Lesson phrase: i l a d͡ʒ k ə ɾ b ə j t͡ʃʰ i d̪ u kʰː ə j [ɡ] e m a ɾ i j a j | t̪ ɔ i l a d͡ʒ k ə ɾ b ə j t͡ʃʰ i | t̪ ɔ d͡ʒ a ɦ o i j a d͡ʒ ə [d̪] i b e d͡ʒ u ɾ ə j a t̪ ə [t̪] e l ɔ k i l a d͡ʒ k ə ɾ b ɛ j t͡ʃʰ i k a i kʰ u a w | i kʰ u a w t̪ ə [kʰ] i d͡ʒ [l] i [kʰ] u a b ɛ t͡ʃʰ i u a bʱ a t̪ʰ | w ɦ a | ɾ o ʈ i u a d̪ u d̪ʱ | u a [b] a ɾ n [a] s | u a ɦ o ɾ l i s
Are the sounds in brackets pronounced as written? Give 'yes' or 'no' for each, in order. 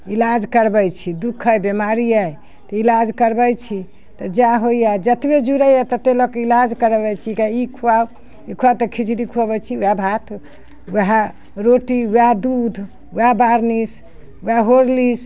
no, no, yes, yes, no, yes, yes, no

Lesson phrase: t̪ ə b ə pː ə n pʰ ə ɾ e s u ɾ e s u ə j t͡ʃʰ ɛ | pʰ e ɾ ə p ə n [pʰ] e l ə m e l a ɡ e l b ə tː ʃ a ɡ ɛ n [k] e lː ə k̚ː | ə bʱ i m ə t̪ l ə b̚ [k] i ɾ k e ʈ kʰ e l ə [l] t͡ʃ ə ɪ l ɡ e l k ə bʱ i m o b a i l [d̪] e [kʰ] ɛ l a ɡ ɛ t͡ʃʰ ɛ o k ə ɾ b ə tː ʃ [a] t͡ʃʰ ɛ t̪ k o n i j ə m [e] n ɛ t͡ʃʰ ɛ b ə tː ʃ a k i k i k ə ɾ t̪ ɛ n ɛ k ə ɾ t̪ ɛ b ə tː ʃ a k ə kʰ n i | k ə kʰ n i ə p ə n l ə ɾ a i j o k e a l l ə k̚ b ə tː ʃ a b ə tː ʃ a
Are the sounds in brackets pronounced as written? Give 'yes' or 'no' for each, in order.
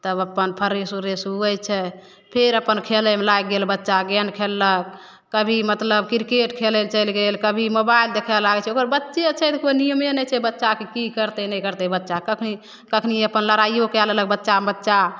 no, no, yes, yes, yes, yes, no, yes

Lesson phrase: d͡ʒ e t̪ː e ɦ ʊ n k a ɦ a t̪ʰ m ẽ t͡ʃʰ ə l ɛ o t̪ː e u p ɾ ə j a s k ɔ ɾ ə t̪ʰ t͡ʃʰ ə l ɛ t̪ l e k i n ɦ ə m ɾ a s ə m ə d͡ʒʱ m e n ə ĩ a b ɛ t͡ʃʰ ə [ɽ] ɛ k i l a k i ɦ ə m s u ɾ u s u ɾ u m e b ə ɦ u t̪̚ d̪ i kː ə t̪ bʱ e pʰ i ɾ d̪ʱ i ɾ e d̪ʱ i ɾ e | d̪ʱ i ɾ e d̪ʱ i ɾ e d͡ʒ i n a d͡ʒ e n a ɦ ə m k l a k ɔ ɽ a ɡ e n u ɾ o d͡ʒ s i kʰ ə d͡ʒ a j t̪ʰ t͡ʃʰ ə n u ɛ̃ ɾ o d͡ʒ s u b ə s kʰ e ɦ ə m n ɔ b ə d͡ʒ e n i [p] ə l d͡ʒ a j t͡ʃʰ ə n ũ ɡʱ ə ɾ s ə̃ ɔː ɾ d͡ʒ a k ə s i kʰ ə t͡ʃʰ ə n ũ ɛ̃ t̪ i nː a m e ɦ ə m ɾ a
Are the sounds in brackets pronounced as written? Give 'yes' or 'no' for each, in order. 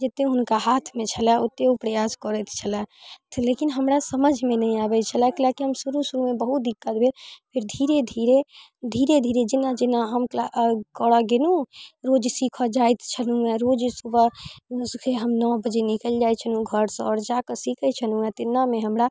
no, no

